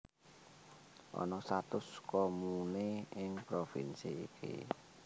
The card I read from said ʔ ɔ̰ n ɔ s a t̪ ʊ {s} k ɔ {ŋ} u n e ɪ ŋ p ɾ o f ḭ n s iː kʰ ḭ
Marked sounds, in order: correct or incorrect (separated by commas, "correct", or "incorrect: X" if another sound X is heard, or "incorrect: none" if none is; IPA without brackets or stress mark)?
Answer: correct, incorrect: m